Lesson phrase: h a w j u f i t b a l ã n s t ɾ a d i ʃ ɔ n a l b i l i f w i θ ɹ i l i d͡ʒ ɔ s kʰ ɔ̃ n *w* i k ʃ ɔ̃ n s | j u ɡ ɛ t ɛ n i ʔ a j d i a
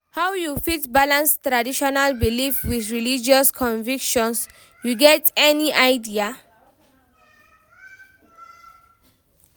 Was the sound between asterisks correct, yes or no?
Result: no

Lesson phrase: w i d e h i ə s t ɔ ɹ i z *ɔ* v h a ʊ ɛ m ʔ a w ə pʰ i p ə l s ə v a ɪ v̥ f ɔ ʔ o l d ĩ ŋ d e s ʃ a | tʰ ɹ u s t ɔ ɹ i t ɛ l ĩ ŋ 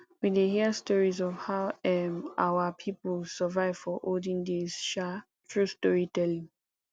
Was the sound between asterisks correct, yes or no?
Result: yes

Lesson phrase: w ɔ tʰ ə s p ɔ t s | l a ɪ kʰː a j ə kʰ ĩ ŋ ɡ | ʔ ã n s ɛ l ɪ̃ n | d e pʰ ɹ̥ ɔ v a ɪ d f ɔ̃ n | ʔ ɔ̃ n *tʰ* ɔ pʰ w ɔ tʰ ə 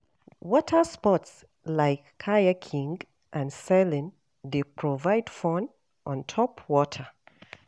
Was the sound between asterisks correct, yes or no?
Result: yes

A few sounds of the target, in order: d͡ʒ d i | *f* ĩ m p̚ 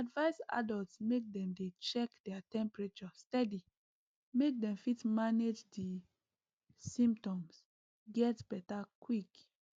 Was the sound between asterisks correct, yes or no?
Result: no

